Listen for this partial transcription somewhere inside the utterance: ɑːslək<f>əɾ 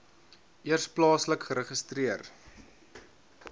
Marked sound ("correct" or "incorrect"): incorrect